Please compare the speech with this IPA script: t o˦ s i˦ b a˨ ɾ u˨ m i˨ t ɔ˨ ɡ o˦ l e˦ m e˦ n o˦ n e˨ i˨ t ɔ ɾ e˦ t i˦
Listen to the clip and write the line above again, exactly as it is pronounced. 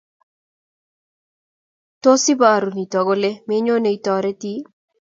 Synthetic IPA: t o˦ s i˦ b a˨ ɾ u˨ n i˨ t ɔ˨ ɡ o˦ l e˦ m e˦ ɲ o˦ n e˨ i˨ t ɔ ɾ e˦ t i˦